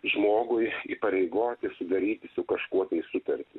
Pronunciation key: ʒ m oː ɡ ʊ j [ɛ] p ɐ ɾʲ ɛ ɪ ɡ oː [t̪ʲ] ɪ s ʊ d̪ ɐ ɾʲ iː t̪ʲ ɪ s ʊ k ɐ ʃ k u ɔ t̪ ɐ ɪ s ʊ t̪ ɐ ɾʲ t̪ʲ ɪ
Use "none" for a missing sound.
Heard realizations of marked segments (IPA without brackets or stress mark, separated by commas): i, t̪ʲ